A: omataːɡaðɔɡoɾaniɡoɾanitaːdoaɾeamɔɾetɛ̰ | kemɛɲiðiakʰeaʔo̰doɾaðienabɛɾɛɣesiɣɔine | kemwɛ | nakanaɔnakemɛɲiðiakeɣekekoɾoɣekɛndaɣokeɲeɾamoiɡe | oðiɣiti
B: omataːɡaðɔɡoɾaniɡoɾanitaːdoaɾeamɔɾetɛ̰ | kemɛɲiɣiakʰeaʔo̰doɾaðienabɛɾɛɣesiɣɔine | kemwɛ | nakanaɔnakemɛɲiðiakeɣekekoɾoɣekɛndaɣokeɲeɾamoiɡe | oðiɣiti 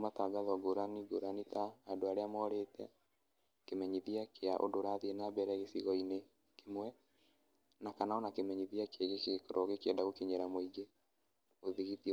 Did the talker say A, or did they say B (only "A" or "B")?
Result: A